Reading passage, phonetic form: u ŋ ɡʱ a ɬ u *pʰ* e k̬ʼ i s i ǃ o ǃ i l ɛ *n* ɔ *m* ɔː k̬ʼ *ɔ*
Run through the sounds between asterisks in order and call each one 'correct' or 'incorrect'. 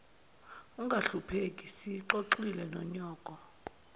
correct, correct, incorrect: ɲ, correct

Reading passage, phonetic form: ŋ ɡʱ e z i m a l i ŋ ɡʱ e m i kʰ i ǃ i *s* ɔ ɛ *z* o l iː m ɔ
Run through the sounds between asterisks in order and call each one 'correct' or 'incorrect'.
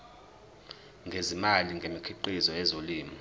incorrect: z, correct

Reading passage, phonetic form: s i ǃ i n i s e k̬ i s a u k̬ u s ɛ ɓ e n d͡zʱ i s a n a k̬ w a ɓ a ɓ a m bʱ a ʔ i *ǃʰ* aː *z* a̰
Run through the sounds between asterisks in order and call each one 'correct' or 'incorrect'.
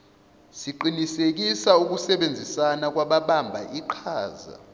correct, correct

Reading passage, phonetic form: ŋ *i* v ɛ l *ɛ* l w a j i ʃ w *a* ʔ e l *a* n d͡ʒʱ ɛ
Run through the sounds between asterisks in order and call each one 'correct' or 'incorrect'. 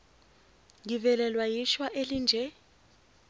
correct, correct, correct, incorrect: i

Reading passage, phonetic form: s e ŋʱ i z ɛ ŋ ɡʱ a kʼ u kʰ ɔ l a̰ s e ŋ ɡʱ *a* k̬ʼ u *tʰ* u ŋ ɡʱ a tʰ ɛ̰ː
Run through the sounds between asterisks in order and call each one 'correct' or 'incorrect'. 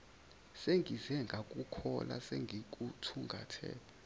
incorrect: i, correct

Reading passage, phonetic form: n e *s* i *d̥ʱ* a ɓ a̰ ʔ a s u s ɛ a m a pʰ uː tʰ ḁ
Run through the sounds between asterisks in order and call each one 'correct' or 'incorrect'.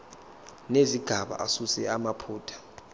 incorrect: z, incorrect: ɡ̥ʱ

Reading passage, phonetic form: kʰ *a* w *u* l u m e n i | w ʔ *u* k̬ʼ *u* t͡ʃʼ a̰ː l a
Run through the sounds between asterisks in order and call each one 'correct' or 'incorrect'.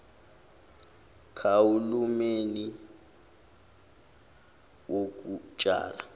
correct, correct, incorrect: o, correct

